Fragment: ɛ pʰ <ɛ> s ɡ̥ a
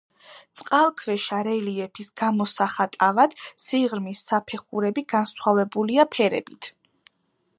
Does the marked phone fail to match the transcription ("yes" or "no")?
yes